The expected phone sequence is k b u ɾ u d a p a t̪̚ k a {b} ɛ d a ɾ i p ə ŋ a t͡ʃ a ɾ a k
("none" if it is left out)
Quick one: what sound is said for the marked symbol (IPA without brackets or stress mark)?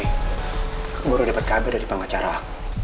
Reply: b